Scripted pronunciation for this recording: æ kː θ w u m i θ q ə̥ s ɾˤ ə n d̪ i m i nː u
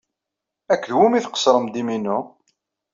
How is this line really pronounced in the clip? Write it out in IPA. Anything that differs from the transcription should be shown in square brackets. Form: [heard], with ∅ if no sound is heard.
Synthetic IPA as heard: æ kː [ð] w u m i θ q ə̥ s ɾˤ ə [m] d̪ i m i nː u